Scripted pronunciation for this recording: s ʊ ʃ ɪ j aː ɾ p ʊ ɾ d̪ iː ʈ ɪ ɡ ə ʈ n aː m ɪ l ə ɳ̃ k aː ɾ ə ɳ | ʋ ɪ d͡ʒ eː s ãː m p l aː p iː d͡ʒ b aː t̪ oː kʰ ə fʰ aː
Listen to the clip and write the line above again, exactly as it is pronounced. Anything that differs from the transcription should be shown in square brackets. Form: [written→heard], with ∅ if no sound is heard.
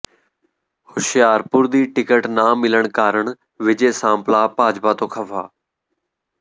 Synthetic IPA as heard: [s→h] ʊ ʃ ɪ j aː ɾ p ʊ ɾ d̪ iː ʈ ɪ [ɡ→k] ə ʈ n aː m ɪ l ə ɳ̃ k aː ɾ ə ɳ | ʋ ɪ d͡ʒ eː s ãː m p l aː p [iː→aː] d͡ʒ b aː t̪ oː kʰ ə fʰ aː